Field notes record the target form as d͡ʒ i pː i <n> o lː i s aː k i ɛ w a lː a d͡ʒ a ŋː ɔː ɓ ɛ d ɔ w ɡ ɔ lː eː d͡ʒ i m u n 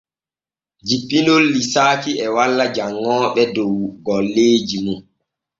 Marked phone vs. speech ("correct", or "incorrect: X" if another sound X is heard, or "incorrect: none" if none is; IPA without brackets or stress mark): correct